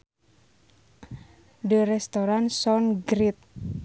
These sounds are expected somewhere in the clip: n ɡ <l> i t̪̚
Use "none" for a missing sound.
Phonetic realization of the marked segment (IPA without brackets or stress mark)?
ɾ